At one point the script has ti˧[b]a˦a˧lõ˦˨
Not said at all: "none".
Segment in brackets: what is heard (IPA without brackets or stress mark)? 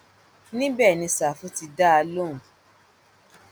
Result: d